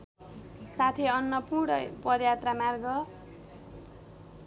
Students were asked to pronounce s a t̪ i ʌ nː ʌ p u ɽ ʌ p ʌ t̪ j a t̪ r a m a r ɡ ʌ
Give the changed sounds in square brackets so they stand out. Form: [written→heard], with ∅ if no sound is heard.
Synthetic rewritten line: s a [t̪→t̪ʰ] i ʌ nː ʌ p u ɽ ʌ p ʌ [t̪→d̪] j a t̪ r a m a r ɡ ʌ

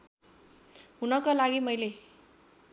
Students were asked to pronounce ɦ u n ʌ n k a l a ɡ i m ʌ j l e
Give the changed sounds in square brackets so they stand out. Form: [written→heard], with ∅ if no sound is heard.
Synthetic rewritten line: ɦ u n ʌ [n→∅] k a l a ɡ i m ʌ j l e

